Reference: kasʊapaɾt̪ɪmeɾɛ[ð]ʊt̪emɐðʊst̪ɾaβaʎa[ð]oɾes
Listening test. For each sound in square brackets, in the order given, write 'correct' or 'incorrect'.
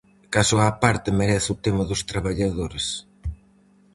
incorrect, correct

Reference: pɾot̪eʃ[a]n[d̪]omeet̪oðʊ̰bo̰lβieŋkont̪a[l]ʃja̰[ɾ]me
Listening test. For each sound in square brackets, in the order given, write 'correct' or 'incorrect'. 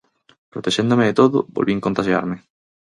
incorrect, correct, incorrect, correct

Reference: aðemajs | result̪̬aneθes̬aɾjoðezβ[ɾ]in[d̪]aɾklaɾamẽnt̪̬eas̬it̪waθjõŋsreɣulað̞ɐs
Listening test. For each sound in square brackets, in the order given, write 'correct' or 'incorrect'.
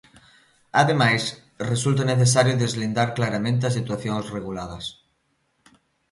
incorrect, correct

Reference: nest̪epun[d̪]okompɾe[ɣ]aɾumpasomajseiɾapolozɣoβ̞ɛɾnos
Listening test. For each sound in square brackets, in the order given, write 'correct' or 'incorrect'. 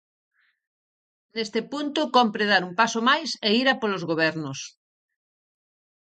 incorrect, incorrect

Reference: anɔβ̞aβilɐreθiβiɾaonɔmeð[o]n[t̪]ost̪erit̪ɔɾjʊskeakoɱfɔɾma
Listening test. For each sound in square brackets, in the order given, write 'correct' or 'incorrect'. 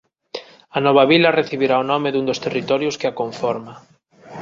incorrect, incorrect

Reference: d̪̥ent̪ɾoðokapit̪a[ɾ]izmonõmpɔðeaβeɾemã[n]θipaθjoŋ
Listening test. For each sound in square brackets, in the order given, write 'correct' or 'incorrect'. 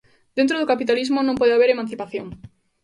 incorrect, correct

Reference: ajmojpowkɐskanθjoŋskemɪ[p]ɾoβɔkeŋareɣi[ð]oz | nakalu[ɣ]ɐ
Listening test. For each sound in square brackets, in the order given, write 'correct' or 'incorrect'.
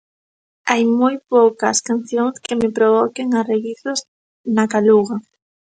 correct, incorrect, correct

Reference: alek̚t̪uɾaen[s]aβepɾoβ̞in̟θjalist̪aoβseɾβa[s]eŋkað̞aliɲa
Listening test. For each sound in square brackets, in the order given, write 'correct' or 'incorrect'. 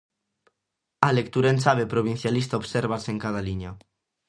correct, correct

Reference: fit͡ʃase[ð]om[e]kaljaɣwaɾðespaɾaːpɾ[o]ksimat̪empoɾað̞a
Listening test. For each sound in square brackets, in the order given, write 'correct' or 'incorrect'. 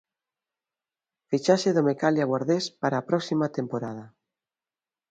correct, correct, incorrect

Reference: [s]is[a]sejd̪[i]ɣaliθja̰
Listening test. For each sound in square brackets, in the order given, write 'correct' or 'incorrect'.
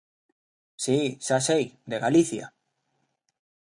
correct, correct, incorrect

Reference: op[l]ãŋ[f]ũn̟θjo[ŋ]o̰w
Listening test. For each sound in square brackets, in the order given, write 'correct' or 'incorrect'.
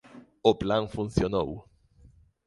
correct, correct, incorrect

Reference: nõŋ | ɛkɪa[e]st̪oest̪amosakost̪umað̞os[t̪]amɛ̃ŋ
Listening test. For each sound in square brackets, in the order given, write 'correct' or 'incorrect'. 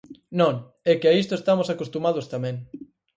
incorrect, correct

